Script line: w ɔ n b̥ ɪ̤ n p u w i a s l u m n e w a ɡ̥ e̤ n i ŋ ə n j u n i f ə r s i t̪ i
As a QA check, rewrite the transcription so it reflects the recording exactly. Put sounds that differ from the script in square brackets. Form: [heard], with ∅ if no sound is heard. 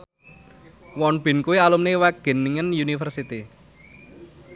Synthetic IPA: w ɔ n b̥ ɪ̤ n [k] u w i a [∅] l u m n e w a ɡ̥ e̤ n i ŋ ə n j u n i f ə r s i t̪ i